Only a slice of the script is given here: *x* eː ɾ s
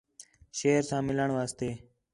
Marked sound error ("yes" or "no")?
yes